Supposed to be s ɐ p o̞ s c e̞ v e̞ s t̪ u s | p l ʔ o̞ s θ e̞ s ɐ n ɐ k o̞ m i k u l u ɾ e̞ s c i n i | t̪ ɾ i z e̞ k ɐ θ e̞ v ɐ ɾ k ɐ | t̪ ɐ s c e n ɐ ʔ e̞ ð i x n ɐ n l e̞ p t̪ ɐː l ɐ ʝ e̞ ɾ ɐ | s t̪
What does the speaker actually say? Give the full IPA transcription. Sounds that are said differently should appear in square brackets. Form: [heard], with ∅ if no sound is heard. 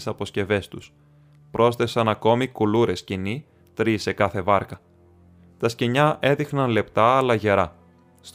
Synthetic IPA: s ɐ p o̞ s c e̞ v e̞ s t̪ u s | p [ɾ] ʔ o̞ s θ e̞ s ɐ n ɐ k o̞ m i k u l u ɾ e̞ s c i n i | t̪ ɾ i [s] e̞ k ɐ θ e̞ v ɐ ɾ k ɐ | t̪ ɐ s c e [ɲ] ɐ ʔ e̞ ð i x n ɐ n l e̞ p t̪ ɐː l ɐ ʝ e̞ ɾ ɐ | s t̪